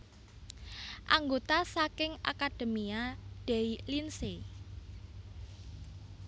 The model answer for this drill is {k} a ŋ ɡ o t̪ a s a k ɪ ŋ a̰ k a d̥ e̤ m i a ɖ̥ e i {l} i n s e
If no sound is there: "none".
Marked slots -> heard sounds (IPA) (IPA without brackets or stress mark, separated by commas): ʔ, l